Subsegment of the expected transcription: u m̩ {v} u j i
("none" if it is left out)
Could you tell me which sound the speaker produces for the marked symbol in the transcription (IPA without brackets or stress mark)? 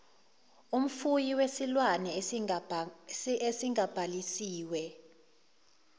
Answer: f